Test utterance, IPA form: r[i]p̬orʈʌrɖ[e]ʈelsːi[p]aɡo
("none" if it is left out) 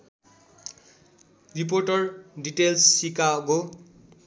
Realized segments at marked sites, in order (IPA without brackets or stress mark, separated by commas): i, i, k